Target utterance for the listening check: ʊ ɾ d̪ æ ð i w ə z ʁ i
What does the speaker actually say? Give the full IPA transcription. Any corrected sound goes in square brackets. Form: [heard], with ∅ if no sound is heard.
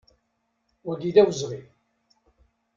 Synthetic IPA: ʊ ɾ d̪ [i] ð [æ] w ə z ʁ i